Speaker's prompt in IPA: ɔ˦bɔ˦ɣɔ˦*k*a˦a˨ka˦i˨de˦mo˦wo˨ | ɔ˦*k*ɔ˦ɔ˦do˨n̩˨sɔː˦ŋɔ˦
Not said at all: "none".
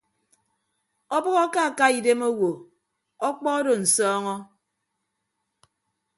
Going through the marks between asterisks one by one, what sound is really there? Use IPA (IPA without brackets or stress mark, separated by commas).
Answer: k, k͡p